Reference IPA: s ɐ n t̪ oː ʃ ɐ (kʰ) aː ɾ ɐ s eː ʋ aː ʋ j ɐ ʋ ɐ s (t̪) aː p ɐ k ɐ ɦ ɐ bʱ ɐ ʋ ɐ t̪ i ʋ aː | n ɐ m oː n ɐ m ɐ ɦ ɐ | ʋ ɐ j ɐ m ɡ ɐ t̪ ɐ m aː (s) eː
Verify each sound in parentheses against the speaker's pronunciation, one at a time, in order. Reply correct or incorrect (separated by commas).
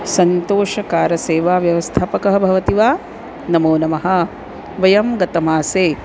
incorrect, incorrect, correct